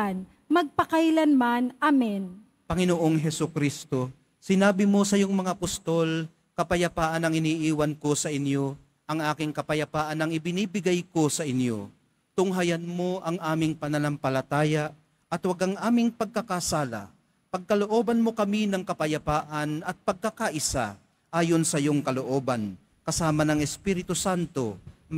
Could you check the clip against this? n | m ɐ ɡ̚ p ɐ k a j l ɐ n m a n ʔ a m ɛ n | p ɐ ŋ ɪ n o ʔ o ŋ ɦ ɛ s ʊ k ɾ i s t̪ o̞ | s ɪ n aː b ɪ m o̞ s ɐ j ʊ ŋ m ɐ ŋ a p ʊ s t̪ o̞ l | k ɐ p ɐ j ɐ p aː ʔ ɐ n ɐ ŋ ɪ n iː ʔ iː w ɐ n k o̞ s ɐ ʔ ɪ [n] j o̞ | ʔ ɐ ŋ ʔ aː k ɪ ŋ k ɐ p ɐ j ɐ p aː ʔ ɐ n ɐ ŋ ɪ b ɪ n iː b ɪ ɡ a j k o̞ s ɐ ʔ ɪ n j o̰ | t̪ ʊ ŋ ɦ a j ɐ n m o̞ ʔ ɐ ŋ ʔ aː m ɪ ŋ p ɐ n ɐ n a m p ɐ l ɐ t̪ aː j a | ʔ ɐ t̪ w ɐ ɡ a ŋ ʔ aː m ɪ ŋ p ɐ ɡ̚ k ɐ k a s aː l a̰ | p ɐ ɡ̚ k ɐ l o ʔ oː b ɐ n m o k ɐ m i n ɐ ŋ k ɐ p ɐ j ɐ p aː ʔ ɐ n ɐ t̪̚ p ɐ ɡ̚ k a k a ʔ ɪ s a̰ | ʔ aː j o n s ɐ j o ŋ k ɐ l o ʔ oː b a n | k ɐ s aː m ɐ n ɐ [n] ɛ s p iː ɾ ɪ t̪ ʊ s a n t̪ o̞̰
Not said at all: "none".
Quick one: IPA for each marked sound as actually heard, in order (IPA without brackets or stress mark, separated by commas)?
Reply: n, ŋ